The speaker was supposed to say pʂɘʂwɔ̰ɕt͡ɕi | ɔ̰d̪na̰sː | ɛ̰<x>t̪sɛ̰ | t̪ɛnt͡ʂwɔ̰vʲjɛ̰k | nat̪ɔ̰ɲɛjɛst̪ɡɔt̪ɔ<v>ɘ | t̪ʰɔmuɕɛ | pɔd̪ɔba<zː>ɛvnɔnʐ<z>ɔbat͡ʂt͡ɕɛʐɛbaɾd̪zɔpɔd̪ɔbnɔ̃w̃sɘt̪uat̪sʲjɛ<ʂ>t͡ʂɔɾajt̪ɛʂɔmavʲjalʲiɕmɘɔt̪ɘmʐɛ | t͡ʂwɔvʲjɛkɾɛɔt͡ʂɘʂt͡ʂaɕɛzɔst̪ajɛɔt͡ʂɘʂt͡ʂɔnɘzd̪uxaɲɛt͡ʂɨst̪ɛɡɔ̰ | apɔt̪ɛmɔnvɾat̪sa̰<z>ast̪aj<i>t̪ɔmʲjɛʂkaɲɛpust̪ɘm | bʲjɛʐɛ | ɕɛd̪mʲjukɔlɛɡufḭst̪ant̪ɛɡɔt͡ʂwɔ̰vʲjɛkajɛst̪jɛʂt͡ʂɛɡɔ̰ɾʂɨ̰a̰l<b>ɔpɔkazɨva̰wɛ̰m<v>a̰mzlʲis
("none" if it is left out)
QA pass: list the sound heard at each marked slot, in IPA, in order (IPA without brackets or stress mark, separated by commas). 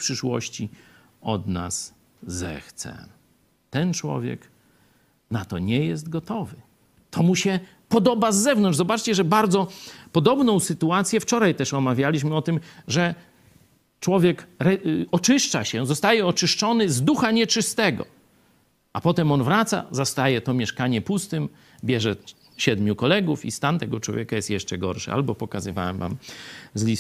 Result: x, v, zː, z, f, z, ɛ, b, v